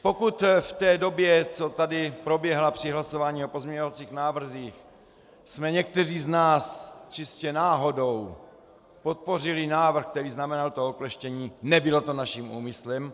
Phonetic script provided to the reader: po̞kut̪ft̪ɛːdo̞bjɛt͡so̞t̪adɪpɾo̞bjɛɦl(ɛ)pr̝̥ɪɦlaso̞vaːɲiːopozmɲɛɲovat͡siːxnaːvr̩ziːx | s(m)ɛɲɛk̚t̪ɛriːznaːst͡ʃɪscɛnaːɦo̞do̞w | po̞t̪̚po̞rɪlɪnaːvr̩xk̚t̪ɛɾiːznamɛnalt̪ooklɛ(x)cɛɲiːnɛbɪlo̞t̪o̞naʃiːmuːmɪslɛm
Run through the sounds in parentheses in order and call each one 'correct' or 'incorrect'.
incorrect, correct, incorrect

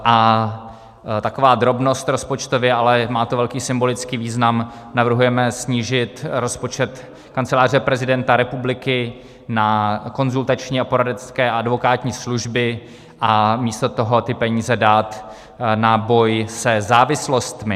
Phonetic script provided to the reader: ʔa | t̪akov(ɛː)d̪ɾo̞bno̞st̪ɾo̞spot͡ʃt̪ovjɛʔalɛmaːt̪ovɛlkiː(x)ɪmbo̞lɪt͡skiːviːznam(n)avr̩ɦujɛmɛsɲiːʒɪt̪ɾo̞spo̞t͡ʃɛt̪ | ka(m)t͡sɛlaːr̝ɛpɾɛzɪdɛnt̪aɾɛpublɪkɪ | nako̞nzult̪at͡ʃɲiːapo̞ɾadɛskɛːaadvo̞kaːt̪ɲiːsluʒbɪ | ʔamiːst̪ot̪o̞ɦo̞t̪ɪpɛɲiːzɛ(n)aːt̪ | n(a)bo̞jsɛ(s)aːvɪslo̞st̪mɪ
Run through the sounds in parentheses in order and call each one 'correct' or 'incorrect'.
incorrect, incorrect, correct, incorrect, incorrect, correct, incorrect

